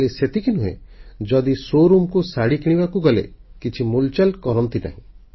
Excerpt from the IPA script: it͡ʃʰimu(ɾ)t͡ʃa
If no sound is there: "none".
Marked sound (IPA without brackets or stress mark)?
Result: l